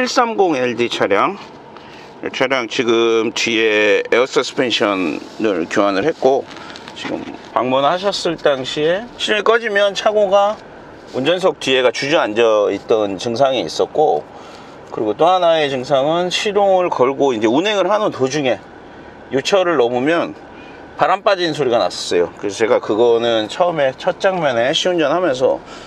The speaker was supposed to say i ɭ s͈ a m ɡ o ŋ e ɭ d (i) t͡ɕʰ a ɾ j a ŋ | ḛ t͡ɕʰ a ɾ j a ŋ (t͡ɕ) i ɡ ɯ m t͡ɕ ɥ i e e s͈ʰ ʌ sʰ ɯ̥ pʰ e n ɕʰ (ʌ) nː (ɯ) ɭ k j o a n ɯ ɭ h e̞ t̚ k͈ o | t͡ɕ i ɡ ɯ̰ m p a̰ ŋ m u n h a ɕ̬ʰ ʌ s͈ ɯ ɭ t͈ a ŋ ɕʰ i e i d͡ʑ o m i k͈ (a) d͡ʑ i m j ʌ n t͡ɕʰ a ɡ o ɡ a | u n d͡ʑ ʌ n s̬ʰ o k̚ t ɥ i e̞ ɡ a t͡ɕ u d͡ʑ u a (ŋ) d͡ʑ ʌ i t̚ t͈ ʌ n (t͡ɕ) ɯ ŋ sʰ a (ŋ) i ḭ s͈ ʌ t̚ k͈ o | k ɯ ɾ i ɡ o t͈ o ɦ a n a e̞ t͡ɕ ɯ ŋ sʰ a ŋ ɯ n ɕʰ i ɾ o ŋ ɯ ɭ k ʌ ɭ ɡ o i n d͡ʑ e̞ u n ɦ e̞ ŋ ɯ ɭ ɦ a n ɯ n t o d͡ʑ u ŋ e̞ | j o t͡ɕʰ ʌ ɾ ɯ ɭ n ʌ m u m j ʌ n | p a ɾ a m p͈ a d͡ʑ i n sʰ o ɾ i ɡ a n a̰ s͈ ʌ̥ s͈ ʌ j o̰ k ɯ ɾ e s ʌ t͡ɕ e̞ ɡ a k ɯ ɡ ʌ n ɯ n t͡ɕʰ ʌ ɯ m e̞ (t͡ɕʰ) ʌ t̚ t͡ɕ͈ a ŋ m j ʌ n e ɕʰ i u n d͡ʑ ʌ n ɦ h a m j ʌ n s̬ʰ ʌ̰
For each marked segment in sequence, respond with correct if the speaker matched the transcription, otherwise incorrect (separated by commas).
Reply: correct, correct, correct, correct, incorrect, incorrect, correct, correct, correct